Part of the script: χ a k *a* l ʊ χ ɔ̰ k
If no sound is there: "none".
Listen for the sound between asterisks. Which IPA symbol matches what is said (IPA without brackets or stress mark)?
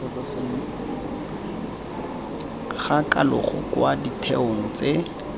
a